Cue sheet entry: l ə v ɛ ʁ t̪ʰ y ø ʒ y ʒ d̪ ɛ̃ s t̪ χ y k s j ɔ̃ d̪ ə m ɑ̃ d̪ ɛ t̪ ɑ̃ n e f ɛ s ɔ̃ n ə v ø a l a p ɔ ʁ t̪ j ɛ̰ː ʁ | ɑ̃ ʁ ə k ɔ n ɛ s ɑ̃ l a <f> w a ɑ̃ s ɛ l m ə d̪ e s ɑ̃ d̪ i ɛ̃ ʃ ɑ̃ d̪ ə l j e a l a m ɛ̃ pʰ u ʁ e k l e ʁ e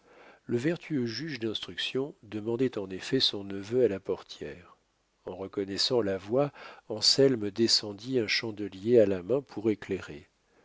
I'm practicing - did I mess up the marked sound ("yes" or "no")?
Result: yes